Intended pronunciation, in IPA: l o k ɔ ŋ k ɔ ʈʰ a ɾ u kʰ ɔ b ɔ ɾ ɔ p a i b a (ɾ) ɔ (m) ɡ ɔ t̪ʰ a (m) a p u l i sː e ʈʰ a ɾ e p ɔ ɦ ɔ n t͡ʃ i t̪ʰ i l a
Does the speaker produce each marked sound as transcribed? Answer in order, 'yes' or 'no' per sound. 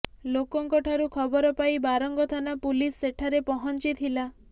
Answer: yes, no, no

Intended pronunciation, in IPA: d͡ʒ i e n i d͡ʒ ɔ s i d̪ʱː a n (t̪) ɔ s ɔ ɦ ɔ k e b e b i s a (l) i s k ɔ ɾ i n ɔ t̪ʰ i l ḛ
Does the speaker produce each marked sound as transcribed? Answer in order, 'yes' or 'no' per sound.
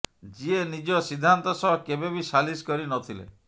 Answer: yes, yes

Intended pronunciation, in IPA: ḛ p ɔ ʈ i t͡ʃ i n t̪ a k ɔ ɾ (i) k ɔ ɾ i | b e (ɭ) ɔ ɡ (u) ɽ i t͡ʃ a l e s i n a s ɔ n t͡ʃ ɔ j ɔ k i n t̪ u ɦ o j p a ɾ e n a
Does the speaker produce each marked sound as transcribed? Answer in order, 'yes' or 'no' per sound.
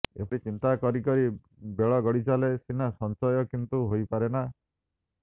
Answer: yes, yes, no

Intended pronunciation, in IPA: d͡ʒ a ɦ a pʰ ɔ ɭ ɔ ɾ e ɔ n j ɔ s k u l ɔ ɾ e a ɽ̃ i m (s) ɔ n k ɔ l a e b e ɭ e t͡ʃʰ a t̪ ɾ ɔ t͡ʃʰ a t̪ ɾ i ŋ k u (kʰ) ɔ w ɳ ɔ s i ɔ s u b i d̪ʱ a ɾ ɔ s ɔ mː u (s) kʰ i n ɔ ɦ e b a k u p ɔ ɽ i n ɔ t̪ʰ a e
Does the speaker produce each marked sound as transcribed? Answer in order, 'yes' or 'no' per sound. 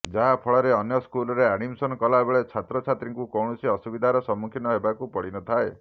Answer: yes, no, no

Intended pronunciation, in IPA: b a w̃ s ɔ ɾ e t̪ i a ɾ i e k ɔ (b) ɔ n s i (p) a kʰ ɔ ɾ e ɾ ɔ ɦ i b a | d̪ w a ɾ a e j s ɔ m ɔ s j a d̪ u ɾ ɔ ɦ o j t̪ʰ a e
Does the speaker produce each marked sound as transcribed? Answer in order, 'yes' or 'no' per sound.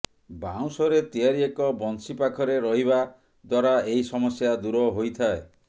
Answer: yes, yes

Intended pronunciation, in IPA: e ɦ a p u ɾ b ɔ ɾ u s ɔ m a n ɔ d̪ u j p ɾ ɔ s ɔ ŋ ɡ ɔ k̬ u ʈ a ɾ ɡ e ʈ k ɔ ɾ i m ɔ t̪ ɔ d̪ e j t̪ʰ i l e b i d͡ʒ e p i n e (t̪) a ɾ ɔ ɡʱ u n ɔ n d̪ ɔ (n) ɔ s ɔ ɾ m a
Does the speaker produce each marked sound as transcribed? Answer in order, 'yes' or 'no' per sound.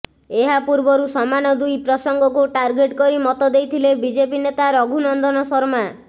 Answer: yes, yes

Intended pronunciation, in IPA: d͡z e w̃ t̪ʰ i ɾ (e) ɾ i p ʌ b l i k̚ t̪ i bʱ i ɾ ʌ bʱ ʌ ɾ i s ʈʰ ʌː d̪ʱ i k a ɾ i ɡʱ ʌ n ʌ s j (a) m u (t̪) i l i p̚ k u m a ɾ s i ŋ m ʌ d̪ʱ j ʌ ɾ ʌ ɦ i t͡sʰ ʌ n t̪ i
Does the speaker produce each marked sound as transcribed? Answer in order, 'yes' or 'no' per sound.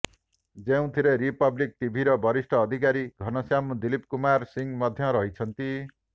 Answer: yes, yes, no

